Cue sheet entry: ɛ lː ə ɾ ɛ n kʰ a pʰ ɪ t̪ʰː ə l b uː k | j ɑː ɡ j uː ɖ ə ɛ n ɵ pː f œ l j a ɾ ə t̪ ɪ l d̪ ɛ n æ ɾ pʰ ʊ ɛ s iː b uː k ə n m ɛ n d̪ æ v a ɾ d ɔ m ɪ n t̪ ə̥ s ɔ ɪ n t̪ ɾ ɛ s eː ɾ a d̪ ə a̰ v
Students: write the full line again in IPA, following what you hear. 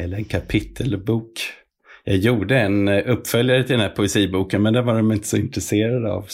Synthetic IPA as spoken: ɛ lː ə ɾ ɛ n kʰ a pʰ ɪ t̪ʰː ə l b uː k | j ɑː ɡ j uː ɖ ə ɛ n ɵ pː f œ l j a ɾ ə t̪ ɪ l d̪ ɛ n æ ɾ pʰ ʊ ɛ s iː b uː k ə n m ɛ n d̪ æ v a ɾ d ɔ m ɪ n t̪ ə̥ s ɔ ɪ n t̪ ɾ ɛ s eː ɾ a d̪ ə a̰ v